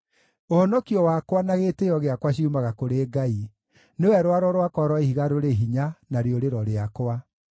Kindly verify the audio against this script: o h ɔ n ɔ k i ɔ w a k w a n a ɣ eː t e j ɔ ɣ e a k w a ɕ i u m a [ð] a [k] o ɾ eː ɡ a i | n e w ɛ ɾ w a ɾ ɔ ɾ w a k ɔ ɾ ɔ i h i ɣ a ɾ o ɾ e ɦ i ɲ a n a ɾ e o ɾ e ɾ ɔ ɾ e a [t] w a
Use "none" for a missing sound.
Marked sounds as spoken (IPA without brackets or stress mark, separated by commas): ɣ, k, k